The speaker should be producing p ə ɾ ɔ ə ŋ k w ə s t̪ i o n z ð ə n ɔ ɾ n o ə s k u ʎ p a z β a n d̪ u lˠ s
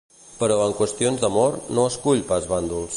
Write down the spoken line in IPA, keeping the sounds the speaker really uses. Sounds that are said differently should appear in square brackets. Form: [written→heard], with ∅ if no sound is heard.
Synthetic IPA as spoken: p ə ɾ ɔ ə ŋ k w ə s t̪ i o n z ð ə [n→m] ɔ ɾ n o ə s k u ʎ p a z β a n d̪ u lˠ s